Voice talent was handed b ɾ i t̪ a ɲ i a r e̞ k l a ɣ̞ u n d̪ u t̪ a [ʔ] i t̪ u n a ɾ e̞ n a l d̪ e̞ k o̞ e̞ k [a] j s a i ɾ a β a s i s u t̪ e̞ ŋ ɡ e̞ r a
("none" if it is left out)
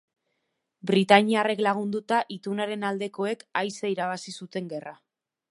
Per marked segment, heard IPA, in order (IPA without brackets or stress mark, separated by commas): ʔ, a